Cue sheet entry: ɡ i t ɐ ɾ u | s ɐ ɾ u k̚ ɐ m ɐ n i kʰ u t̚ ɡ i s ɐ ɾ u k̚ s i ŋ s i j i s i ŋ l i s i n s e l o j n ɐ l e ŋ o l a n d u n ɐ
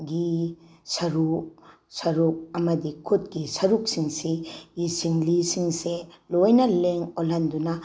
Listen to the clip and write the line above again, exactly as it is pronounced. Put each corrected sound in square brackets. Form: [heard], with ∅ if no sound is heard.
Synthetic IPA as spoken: ɡ i [s] ɐ ɾ u | s ɐ ɾ u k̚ ɐ m ɐ [d] i kʰ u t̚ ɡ i s ɐ ɾ u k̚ s i ŋ s i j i s i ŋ l i s i [ŋ] s e l o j n ɐ l e ŋ o l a n d u n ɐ